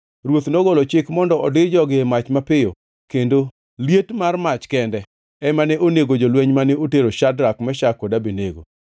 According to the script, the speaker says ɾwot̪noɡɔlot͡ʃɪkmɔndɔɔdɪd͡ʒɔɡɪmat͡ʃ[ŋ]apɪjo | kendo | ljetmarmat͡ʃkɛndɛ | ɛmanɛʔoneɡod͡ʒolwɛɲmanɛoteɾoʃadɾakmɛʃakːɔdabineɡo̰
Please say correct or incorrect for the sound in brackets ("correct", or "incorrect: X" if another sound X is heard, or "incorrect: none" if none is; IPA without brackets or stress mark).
incorrect: m